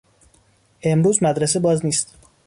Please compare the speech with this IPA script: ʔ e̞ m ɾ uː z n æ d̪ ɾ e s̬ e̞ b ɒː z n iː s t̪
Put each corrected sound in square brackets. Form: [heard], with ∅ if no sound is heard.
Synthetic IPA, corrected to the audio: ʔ e̞ m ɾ uː z [m] æ d̪ ɾ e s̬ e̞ b ɒː z n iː s t̪